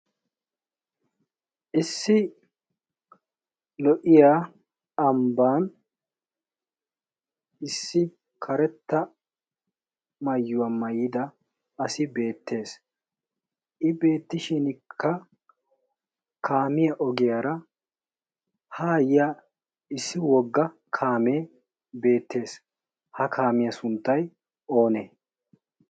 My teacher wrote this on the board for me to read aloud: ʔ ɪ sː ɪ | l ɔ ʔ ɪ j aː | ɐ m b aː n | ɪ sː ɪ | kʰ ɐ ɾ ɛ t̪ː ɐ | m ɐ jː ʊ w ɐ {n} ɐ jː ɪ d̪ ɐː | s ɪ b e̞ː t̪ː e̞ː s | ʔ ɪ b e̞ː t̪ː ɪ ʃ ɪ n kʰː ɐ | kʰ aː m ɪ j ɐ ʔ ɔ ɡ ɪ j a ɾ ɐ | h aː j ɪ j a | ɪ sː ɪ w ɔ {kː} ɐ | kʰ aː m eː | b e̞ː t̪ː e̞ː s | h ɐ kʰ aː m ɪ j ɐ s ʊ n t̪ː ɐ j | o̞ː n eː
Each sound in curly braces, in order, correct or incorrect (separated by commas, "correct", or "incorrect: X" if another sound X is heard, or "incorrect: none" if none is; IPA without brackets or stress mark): incorrect: m, incorrect: ɡː